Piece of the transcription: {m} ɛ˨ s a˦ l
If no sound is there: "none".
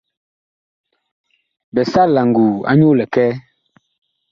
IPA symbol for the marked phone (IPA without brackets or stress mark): b